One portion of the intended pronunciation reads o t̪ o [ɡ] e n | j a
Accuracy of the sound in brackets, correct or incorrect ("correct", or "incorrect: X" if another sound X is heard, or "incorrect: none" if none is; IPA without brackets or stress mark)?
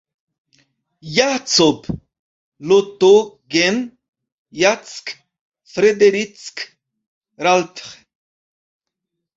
correct